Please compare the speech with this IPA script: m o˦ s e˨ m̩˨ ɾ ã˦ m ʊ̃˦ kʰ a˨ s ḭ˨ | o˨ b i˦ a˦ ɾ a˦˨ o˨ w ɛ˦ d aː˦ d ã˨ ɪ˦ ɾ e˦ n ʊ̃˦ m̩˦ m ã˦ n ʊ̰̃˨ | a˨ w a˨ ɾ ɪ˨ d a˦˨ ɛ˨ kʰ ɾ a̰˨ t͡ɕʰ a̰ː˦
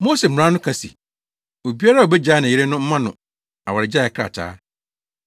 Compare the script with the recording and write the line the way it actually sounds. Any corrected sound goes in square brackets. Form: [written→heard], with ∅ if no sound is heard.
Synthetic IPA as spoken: m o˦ s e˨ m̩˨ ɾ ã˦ [m→n] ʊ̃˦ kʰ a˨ s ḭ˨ | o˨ b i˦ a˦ ɾ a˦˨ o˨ [w→b] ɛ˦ [d→d͡ʑ] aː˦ [d→n] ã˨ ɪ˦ ɾ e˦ n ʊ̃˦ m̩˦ m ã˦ n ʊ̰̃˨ | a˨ w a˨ ɾ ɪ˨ [d→d͡ʑ] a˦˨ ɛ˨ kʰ ɾ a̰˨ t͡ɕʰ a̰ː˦